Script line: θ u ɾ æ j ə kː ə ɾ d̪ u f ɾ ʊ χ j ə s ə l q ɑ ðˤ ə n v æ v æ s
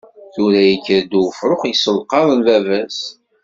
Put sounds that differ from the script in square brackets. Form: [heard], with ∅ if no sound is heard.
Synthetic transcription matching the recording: θ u ɾ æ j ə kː ə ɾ d̪ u f ɾ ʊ χ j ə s ə l q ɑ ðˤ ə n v æ v æ s